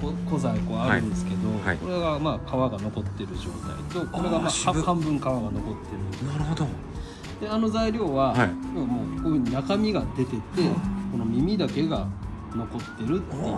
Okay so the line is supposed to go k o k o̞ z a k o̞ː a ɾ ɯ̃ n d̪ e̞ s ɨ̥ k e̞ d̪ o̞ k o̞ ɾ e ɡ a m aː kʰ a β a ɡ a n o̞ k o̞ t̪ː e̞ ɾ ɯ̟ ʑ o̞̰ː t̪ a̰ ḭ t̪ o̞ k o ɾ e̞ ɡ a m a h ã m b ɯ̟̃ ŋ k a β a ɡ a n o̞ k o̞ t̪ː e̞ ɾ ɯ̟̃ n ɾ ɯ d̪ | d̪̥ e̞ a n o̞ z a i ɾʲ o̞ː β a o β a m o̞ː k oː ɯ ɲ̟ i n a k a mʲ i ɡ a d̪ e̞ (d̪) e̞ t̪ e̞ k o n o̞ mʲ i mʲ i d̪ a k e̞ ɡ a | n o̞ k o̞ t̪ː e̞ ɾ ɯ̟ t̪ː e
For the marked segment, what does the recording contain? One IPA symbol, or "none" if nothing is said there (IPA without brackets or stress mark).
t̪